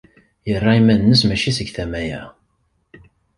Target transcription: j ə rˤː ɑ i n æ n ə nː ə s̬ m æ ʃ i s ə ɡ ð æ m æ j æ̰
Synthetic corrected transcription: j ə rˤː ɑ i m æ n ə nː ə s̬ m æ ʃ i s ə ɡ θ æ m æ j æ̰